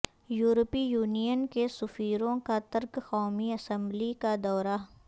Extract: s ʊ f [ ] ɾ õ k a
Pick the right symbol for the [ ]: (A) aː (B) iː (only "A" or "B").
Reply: B